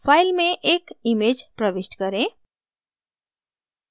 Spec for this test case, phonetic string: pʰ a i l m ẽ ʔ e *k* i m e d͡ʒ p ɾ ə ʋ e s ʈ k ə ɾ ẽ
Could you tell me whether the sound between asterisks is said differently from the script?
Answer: no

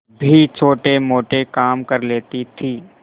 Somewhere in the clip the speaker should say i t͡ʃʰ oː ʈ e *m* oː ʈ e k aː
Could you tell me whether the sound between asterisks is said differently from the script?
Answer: no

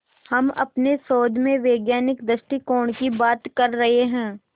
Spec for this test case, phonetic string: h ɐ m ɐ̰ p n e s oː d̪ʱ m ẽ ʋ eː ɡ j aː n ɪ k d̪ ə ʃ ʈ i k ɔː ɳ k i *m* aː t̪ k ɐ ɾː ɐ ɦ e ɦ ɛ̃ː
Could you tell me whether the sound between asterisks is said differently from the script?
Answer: yes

